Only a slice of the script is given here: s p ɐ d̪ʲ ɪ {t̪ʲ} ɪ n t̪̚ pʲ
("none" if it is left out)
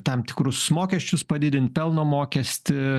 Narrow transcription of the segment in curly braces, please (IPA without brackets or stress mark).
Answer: d̪ʲ